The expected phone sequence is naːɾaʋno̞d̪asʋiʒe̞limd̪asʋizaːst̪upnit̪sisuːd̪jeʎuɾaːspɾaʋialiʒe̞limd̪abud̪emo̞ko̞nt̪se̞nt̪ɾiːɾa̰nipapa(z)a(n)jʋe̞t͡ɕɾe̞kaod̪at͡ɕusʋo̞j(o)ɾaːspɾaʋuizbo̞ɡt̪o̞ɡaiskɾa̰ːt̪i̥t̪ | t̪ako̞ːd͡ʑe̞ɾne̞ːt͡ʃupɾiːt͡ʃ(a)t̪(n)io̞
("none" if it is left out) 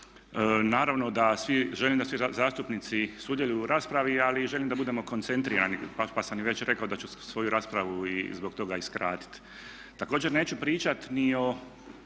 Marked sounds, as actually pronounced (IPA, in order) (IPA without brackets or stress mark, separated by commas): s, m, u, a, n